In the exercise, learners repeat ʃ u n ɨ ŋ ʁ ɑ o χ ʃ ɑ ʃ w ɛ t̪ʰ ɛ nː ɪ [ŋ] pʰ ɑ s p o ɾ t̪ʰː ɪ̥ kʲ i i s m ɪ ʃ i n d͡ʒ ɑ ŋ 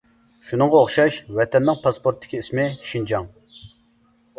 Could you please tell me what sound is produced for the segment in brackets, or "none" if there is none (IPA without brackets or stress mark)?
ŋ